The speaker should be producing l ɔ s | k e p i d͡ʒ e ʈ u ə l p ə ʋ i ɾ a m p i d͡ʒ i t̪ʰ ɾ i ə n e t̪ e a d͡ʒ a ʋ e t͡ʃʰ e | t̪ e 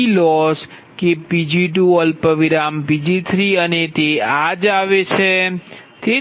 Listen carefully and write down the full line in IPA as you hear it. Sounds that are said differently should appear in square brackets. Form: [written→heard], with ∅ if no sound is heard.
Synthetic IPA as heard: l ɔ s | k e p i d͡ʒ [e→i] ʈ u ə l p ə ʋ i ɾ a m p i d͡ʒ i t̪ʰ ɾ i ə n e t̪ e a d͡ʒ a ʋ e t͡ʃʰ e | t̪ e